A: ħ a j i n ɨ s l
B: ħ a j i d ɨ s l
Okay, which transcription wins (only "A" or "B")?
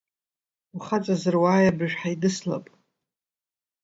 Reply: B